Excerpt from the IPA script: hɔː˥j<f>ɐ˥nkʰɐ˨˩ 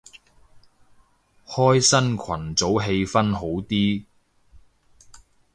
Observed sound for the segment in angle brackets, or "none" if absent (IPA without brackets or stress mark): s